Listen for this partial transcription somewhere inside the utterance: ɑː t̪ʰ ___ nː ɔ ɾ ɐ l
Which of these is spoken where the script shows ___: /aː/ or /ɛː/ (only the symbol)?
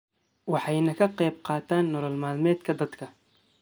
aː